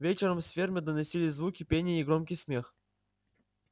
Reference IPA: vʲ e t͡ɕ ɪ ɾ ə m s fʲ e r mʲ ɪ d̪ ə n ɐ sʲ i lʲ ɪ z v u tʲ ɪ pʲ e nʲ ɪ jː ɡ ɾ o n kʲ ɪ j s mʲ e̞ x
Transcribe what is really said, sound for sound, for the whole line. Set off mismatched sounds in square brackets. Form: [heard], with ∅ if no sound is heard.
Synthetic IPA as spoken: vʲ e t͡ɕ ɪ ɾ ə m s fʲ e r mʲ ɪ d̪ ə n ɐ sʲ i lʲ ɪ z v u [kʲ] ɪ pʲ e nʲ ɪ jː ɡ ɾ o [m] kʲ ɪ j s mʲ e̞ x